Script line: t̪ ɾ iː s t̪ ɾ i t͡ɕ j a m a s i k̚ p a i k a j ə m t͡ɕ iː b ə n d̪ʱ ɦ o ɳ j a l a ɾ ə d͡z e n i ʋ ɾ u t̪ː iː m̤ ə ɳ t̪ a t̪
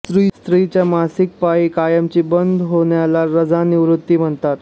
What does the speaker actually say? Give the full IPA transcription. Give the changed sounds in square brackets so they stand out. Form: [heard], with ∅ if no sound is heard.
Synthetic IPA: t̪ ɾ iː s t̪ ɾ i t͡ɕ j a m a s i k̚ p a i k a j ə m t͡ɕ iː b ə n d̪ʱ ɦ o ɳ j a l a ɾ ə d͡z [a] n i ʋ ɾ u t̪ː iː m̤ ə ɳ t̪ a t̪

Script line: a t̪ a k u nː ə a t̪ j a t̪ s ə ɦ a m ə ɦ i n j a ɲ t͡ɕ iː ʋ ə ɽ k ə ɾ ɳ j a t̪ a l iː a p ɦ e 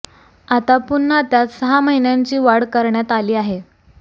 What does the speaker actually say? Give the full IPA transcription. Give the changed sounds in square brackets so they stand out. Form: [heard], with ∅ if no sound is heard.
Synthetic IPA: a t̪ a [p] u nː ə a t̪ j a t̪ s ə ɦ a m ə ɦ i n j a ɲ t͡ɕ iː ʋ [a] ɽ k ə ɾ ɳ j a t̪ a l iː a [∅] ɦ e

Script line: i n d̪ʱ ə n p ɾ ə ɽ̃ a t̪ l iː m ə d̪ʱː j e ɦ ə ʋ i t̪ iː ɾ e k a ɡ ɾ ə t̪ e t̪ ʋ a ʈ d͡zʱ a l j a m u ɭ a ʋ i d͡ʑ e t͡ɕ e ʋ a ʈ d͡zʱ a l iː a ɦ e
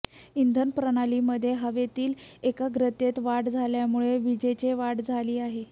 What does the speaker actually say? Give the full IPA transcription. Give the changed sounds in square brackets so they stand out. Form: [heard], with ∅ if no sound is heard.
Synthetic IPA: i n d̪ʱ ə n p ɾ ə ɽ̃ a [∅] l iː m ə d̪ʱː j e ɦ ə ʋ [e] t̪ iː [l] e k a ɡ ɾ ə t̪ e t̪ ʋ a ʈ d͡zʱ a l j a m u ɭ [e] ʋ i d͡ʑ e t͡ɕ e ʋ a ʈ d͡zʱ a l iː a ɦ e

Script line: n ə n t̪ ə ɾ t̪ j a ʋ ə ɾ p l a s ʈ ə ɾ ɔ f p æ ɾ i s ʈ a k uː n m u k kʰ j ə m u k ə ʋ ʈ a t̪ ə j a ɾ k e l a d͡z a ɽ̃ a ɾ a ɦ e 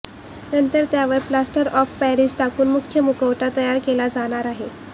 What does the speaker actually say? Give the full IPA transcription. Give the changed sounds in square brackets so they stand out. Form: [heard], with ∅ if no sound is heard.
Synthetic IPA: n ə n t̪ ə ɾ t̪ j a ʋ ə ɾ p l a s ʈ ə ɾ ɔ f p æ ɾ i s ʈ a k uː n m u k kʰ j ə m u k ə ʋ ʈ a t̪ ə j a ɾ k e l a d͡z a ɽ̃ a ɾ a ɦ e

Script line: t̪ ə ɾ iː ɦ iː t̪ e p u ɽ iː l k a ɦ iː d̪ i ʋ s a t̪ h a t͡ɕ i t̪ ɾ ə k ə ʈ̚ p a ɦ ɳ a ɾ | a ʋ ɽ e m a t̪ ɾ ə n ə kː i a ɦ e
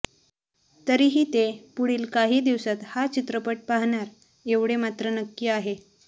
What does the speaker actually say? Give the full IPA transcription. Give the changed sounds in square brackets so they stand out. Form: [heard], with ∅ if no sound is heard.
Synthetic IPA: t̪ ə ɾ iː ɦ iː t̪ e p u ɽ iː l k a ɦ iː d̪ i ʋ s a t̪ h a t͡ɕ i t̪ ɾ ə [p] ə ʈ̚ p a ɦ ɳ a ɾ | [e] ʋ ɽ e m a t̪ ɾ ə n ə kː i a ɦ e

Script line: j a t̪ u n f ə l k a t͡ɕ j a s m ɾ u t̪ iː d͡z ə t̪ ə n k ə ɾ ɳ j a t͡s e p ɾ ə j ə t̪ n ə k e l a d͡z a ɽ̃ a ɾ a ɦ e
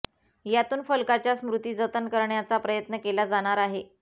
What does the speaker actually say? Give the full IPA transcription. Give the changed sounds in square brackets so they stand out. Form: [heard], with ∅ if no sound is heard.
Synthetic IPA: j a t̪ [uː] n f ə l k a t͡ɕ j a s m ɾ u t̪ iː d͡z ə t̪ ə n k ə ɾ ɳ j a t͡s [a] p ɾ ə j ə t̪ n ə k e l a d͡z a ɽ̃ a ɾ a ɦ e

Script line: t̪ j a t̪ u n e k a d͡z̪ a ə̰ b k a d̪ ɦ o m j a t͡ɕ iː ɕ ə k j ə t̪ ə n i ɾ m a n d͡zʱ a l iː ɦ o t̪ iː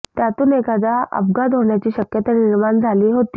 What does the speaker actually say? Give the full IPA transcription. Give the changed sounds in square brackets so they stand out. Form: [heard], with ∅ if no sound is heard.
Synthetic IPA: t̪ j a t̪ [uː] n e k a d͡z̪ a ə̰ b [ɡ] a d̪ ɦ o [ɳ] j a t͡ɕ iː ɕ ə k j ə t̪ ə n i ɾ m a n d͡zʱ a l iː ɦ o t̪ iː

